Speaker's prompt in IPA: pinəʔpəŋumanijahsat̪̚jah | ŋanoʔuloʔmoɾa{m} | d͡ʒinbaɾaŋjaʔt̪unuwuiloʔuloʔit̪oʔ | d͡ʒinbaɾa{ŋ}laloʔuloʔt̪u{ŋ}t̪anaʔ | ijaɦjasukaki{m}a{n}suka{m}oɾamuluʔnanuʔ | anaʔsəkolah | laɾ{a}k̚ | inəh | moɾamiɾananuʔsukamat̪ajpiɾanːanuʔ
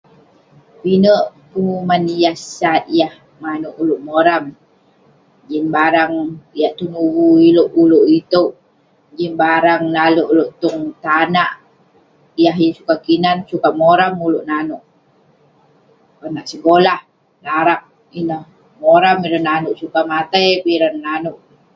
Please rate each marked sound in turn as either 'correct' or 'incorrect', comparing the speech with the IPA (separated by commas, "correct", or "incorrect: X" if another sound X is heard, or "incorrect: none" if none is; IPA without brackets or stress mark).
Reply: correct, correct, correct, incorrect: n, correct, correct, correct